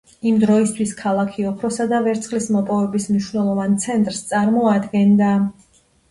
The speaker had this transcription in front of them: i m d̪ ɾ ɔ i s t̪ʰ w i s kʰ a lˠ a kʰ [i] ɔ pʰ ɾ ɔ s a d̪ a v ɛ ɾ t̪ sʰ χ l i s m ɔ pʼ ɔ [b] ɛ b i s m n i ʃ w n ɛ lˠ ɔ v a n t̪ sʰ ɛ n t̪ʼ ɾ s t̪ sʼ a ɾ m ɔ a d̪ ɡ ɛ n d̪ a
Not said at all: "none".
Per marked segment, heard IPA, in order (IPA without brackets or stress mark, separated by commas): i, v